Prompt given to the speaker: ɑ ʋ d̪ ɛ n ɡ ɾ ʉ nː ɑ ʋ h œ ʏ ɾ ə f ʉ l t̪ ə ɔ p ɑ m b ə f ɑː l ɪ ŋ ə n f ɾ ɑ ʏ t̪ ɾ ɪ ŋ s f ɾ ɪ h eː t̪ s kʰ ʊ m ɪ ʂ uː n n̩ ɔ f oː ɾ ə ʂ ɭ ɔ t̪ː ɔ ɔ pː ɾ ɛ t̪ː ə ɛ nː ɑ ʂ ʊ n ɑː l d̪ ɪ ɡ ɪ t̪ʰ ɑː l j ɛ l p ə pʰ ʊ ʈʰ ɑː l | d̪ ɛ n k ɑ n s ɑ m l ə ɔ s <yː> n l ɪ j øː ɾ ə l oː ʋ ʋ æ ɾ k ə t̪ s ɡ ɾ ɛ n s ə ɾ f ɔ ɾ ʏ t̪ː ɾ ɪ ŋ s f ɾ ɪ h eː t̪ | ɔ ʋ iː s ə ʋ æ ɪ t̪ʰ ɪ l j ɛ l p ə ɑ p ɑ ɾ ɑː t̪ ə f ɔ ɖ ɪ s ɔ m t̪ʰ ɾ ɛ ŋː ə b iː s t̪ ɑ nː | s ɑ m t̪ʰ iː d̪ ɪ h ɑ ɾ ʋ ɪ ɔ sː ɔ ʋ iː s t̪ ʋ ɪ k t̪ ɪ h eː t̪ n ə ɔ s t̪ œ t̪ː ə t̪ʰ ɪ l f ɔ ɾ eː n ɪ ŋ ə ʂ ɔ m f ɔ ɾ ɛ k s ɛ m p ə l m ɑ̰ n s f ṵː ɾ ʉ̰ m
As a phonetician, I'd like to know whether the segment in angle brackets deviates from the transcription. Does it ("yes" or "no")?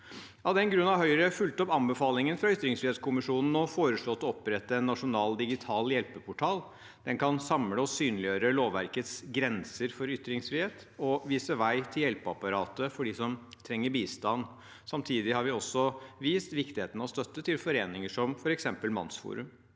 no